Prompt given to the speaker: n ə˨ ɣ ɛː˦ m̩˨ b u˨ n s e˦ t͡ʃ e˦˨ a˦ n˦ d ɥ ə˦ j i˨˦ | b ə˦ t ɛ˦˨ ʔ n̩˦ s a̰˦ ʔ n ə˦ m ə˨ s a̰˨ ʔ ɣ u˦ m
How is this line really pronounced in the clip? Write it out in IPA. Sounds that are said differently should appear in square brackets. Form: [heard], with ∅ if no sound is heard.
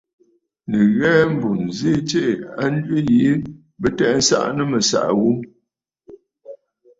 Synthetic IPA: n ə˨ ɣ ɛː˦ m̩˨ b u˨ n [z] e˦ t͡ʃ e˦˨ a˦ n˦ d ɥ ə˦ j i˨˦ | b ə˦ t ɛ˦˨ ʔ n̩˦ s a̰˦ ʔ n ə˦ m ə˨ s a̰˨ ʔ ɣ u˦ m